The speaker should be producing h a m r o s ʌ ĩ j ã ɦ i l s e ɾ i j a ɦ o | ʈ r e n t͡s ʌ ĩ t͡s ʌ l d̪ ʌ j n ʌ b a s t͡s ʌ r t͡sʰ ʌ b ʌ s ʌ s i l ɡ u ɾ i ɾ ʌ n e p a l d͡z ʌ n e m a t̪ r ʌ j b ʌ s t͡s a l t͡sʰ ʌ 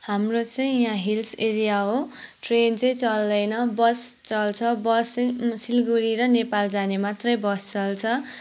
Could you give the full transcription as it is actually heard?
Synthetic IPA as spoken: h a m r o t͡s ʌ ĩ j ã ɦ i l s e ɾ i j a ɦ o | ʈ r e n t͡s ʌ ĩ t͡s ʌ l d̪ ʌ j n ʌ b ʌ s t͡s ʌ l t͡sʰ ʌ b ʌ s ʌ s i l ɡ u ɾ i ɾ ʌ n e p a l d͡z a n e m a t̪ r ʌ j b ʌ s t͡s ʌ l t͡sʰ ʌ